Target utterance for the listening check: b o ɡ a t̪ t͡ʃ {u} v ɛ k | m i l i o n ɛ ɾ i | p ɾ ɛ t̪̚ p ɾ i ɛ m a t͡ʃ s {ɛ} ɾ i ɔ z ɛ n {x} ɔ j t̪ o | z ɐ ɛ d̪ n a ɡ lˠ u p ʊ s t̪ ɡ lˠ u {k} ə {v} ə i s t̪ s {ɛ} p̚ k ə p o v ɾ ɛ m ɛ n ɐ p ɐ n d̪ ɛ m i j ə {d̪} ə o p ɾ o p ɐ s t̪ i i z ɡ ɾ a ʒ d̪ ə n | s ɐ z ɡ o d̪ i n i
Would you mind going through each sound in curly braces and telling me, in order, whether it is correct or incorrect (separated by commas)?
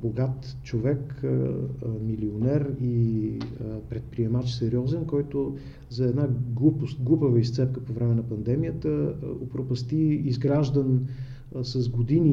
incorrect, correct, incorrect, incorrect, correct, correct, incorrect